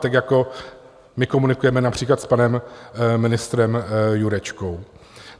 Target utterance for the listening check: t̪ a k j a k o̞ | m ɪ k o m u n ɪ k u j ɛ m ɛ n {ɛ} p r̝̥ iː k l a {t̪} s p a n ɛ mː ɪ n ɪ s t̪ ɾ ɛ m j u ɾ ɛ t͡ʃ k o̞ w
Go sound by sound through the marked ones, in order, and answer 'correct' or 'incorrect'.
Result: incorrect: a, correct

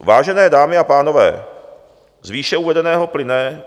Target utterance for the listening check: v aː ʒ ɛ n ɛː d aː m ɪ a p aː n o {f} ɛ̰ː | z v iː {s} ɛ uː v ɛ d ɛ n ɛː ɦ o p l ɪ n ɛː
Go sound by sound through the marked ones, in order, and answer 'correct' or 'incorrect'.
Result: incorrect: v, incorrect: ʃ

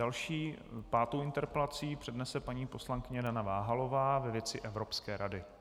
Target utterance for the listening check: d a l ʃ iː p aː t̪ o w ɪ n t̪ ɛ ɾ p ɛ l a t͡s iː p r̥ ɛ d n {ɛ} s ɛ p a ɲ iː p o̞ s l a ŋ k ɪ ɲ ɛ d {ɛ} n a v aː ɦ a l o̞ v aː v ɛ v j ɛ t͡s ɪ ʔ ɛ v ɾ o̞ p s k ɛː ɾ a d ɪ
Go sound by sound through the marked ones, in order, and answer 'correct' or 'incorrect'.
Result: correct, incorrect: a

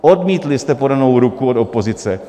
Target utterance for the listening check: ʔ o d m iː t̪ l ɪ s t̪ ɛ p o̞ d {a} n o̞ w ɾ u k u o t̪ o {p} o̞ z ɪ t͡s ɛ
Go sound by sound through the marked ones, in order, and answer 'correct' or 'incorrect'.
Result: correct, correct

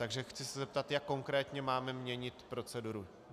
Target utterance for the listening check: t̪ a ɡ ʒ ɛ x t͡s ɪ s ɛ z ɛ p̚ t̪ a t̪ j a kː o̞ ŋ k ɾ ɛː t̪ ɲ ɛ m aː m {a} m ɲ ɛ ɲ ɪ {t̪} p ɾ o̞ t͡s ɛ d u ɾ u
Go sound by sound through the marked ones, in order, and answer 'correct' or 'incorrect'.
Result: incorrect: ɛ, correct

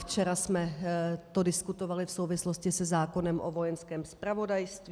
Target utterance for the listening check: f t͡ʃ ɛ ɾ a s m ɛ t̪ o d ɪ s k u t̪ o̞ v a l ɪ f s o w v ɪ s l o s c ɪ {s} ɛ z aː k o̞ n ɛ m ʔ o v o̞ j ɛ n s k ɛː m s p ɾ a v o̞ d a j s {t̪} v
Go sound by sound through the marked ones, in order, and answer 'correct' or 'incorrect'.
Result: correct, correct

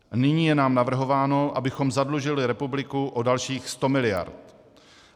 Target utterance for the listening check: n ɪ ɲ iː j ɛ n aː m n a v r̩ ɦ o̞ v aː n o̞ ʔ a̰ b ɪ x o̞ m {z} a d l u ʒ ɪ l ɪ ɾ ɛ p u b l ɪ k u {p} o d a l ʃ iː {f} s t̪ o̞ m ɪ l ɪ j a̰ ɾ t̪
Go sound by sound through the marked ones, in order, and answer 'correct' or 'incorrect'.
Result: correct, incorrect: ʔ, incorrect: x

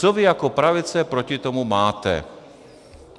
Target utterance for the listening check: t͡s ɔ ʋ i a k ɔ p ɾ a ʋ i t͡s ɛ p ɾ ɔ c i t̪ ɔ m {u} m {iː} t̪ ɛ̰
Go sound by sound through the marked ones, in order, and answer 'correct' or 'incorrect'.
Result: correct, incorrect: aː

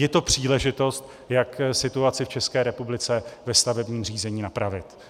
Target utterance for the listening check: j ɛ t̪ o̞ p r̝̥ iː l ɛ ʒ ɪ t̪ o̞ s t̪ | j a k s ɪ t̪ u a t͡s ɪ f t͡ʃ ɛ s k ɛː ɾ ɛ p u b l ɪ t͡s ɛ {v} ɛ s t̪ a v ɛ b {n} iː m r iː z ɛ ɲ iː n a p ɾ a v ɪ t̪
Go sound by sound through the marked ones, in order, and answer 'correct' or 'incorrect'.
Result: correct, incorrect: ɲ

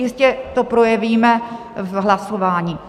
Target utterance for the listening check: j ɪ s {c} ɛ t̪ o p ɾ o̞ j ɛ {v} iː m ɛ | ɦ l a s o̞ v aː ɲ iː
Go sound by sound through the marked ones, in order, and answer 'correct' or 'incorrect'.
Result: correct, correct

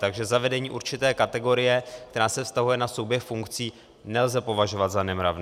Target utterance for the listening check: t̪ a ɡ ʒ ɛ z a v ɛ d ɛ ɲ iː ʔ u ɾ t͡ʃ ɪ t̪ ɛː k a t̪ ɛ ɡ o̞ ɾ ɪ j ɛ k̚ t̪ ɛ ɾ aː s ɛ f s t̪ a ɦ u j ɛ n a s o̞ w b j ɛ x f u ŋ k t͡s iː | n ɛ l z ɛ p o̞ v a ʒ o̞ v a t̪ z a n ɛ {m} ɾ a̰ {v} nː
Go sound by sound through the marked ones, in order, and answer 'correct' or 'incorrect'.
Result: correct, correct

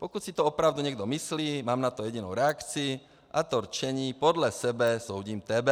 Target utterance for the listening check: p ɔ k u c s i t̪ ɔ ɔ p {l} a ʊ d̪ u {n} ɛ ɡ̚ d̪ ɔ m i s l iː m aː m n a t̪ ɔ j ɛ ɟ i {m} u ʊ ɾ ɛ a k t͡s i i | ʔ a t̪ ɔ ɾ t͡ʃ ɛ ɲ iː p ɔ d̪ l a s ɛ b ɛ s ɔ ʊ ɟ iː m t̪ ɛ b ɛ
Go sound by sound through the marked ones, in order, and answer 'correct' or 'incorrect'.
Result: incorrect: ɾ, incorrect: ɲ, incorrect: n

